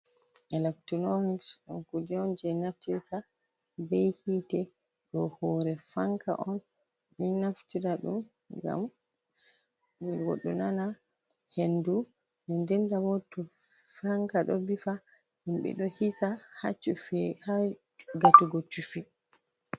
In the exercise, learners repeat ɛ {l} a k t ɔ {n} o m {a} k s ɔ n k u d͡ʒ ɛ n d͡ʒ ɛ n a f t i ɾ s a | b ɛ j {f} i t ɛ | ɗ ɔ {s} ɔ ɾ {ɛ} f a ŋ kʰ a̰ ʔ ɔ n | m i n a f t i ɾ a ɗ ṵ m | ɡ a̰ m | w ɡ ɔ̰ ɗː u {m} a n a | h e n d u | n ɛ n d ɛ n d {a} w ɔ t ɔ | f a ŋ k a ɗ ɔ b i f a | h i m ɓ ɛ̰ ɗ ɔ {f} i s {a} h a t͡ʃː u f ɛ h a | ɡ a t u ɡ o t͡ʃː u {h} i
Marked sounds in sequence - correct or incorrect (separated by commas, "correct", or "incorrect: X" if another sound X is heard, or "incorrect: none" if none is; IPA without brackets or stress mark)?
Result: correct, correct, incorrect: i, incorrect: h, incorrect: h, correct, incorrect: n, correct, incorrect: h, correct, incorrect: f